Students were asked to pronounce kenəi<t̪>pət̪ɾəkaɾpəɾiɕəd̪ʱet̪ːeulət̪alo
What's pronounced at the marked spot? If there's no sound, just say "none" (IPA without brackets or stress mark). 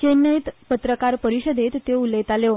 t̪